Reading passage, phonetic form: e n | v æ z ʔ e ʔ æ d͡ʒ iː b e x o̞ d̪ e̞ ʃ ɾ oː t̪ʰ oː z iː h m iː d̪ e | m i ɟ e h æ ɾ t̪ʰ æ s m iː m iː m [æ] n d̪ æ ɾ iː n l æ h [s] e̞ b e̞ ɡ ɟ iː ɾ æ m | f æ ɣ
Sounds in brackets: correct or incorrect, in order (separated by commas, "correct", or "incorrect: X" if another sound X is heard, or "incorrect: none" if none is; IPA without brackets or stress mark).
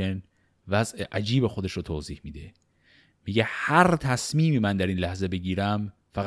correct, incorrect: z